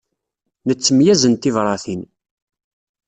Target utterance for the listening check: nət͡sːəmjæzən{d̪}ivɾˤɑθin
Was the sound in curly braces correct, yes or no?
no